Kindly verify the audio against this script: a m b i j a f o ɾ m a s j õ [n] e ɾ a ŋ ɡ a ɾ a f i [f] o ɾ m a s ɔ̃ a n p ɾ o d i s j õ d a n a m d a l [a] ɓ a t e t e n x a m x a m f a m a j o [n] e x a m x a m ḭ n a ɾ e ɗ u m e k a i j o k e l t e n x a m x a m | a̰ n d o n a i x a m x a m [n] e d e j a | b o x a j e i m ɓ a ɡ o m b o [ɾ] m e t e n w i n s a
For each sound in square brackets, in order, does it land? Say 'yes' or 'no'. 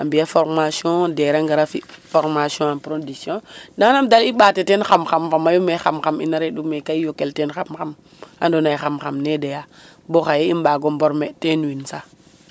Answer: no, yes, no, no, yes, yes

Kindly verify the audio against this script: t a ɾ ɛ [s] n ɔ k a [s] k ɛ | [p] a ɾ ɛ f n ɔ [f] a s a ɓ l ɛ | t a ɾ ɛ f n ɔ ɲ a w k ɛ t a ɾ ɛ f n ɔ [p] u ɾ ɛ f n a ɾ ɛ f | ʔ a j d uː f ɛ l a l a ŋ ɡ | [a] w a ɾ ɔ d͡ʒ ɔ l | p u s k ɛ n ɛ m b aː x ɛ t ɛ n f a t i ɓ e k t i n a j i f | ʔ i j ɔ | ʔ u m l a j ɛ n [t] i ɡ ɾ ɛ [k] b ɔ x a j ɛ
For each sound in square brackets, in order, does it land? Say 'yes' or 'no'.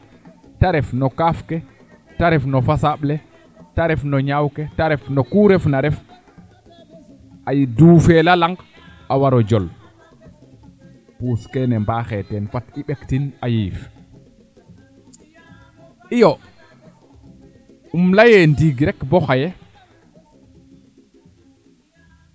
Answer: no, no, no, yes, no, yes, no, yes

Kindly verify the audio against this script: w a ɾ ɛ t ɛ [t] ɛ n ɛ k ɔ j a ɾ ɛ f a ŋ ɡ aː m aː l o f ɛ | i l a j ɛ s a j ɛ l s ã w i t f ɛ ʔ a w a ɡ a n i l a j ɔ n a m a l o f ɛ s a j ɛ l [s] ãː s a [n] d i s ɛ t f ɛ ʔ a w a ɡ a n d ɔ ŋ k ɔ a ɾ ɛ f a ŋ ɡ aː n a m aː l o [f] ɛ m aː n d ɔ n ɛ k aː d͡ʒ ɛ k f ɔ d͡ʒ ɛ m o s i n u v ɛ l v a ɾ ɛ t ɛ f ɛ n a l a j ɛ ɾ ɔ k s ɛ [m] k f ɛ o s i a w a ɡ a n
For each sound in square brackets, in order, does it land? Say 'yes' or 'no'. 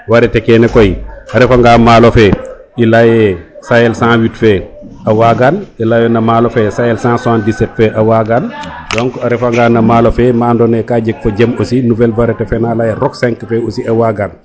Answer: no, yes, yes, yes, no

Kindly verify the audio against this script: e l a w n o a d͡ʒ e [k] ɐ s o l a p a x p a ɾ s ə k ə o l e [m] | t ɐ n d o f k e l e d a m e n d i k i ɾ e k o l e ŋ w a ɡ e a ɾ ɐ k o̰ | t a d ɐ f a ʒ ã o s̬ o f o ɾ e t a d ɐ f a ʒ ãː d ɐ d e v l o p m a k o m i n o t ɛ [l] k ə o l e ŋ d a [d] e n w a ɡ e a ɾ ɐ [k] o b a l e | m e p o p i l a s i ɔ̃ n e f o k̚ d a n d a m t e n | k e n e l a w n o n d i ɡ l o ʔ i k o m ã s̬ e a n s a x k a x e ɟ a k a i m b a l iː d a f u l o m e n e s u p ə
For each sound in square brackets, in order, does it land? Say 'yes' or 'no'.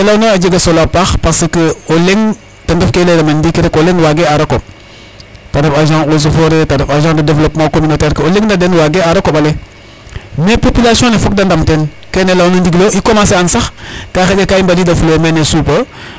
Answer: no, no, no, yes, yes

